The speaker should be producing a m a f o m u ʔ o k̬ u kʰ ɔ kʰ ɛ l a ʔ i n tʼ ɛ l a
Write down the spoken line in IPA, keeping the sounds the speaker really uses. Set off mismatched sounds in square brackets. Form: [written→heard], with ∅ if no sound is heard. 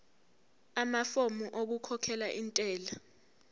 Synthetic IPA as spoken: a m a f o m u ʔ o k̬ u kʰ ɔ kʰ ɛ l a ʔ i n tʼ [ɛ→ɛː] l a